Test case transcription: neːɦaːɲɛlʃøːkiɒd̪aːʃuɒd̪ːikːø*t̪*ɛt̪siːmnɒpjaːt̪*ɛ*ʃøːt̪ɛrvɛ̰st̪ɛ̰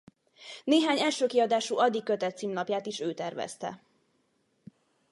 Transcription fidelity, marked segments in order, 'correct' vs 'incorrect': correct, incorrect: i

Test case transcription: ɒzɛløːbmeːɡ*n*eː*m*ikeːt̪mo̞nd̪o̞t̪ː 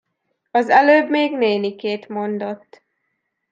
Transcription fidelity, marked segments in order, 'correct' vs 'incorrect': correct, incorrect: n

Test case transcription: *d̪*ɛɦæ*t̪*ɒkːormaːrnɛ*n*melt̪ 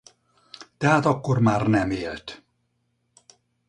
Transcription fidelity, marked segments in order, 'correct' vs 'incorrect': incorrect: t̪, correct, incorrect: none

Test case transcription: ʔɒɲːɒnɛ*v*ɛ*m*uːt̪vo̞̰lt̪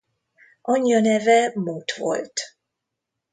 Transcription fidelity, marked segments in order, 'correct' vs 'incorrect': correct, correct

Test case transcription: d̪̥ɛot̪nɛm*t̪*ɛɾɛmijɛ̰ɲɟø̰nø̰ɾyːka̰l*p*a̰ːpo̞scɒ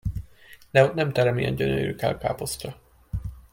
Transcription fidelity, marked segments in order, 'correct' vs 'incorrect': correct, incorrect: k

